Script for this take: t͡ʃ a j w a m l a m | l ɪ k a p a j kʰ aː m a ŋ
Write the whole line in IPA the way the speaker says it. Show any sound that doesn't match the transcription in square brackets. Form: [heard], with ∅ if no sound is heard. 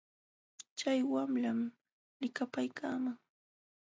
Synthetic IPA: t͡ʃ a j w a m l a m | l ɪ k a p a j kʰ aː m a ŋ